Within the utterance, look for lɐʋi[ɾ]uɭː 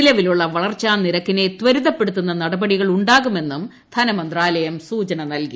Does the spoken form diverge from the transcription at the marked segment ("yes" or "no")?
yes